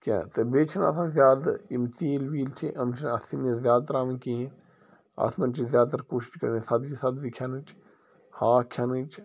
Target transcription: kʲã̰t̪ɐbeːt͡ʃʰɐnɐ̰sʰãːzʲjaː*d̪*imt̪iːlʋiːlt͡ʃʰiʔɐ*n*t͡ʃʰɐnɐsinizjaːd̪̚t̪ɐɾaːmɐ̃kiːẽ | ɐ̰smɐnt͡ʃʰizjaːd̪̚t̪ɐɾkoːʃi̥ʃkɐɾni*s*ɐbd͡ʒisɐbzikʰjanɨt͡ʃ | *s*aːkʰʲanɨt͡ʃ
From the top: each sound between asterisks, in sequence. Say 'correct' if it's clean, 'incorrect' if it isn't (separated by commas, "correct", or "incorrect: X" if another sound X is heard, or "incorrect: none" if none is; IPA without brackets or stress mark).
correct, incorrect: m, correct, incorrect: h